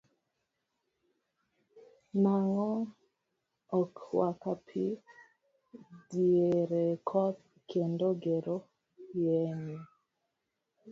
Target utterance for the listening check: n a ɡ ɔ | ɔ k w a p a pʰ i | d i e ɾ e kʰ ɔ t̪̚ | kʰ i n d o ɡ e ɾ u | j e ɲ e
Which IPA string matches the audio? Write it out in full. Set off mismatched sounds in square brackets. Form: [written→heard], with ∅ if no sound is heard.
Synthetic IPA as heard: n a [ɡ→ŋ] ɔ | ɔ k w a [p→k] a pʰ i | d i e ɾ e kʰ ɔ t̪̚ | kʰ [i→e] n d o ɡ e ɾ [u→o] | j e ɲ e